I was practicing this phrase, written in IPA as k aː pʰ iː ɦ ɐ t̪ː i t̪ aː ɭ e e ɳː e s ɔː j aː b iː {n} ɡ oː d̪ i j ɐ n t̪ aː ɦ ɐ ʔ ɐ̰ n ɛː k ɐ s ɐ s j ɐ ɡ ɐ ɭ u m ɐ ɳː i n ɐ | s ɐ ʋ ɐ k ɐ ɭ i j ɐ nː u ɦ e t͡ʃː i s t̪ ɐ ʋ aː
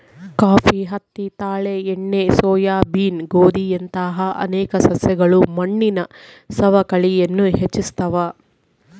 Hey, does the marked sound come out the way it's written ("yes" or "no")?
yes